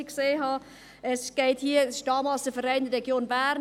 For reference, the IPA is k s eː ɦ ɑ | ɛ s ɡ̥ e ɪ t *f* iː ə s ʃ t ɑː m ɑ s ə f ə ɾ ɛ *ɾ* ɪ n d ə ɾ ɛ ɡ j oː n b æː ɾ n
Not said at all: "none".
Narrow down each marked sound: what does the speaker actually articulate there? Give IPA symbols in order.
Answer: h, none

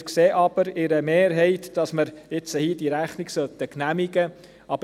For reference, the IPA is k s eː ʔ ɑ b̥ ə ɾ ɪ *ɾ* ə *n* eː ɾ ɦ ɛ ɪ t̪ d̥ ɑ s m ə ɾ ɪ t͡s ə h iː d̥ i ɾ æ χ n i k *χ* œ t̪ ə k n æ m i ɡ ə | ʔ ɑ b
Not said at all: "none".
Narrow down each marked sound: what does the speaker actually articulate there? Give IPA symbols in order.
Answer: ɾ, m, s

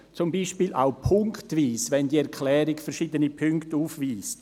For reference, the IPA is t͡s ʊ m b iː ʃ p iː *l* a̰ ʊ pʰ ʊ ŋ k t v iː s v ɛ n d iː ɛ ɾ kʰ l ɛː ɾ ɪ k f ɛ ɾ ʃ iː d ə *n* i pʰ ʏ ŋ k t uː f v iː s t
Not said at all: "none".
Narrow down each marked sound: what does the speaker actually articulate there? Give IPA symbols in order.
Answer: l, n

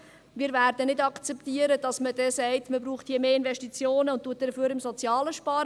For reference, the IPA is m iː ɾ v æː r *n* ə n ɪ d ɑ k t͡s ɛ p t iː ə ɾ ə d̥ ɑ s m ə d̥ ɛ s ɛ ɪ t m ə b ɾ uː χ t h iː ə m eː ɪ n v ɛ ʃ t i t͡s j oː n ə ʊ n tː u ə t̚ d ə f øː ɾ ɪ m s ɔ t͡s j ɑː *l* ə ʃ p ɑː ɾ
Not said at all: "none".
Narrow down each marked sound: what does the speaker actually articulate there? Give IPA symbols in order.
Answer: d, l

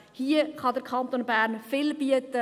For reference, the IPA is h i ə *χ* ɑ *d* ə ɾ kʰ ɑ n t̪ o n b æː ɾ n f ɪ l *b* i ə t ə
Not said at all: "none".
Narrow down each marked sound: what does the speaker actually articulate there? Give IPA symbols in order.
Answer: χ, d, b

